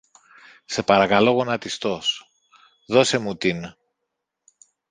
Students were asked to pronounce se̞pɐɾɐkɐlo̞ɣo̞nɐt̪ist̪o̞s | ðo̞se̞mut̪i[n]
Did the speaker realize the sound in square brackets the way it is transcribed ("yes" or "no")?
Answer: yes